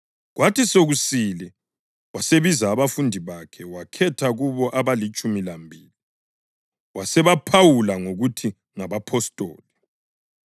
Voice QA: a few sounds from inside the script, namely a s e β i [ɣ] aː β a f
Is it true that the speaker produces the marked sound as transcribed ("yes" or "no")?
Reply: no